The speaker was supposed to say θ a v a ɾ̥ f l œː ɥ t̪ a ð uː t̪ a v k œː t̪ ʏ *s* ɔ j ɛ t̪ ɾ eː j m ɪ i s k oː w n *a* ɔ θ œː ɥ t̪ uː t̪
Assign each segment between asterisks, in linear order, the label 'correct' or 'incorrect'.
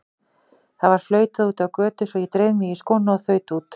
correct, correct

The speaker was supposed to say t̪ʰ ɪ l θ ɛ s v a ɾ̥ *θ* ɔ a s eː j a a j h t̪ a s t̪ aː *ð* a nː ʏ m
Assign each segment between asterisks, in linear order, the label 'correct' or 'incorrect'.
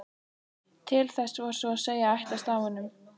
incorrect: s, incorrect: v

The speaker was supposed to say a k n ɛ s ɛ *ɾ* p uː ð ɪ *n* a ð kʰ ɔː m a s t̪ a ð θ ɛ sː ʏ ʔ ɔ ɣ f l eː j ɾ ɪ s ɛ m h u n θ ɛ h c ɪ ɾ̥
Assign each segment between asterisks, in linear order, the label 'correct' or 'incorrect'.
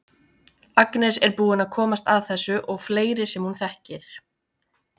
correct, correct

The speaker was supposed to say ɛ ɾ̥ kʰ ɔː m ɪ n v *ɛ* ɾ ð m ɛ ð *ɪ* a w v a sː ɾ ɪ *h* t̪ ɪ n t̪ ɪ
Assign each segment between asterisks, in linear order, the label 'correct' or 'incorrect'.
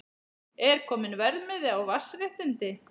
correct, correct, correct

